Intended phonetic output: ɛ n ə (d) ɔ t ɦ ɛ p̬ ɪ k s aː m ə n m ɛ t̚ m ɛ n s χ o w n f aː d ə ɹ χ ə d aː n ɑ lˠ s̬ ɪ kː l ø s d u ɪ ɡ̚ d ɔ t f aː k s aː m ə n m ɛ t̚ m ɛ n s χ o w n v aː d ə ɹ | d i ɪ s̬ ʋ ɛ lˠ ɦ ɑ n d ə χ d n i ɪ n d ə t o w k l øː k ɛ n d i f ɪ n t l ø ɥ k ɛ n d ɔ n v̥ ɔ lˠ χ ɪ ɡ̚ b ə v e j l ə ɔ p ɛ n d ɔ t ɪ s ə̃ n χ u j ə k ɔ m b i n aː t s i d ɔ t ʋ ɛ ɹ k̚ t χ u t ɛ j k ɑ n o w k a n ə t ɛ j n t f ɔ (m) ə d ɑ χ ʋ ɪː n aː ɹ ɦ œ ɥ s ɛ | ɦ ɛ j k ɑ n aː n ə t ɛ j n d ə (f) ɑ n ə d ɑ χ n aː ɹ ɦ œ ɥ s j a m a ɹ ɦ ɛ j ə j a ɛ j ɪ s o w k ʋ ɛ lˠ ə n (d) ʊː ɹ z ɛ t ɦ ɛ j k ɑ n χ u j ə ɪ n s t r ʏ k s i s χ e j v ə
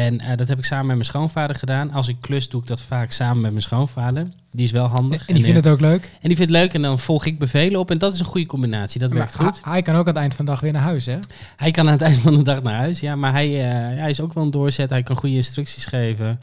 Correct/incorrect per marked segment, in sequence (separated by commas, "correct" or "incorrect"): correct, incorrect, correct, correct